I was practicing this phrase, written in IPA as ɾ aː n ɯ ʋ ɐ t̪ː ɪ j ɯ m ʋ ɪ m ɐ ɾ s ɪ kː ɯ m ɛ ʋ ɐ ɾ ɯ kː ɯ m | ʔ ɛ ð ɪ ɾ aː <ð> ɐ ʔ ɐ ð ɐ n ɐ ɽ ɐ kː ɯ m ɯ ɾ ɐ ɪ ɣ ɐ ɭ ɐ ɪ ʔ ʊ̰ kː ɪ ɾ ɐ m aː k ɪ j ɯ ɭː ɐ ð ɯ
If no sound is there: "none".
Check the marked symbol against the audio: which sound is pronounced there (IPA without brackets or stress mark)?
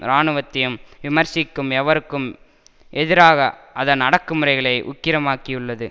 ɣ